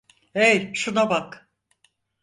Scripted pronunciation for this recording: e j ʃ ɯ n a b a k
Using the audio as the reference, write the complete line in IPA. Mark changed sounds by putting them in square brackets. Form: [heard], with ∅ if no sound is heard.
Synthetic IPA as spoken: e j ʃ [u] n a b a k